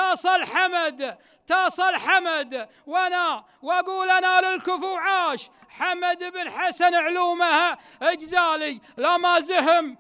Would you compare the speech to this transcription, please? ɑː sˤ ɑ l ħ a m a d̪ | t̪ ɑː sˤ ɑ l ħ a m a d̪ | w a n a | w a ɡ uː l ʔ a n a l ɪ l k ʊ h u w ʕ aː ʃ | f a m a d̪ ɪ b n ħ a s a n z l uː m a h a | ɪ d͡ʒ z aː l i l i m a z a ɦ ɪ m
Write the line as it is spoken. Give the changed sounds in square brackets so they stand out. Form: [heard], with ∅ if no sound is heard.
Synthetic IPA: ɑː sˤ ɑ l ħ a m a d̪ | t̪ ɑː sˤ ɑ l ħ a m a d̪ | w a n a | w a ɡ uː l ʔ a n a l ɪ l k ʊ [f] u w ʕ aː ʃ | [ħ] a m a d̪ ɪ b n ħ a s a n [ʕ] l uː m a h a | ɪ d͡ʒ z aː l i l [a] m a z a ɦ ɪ m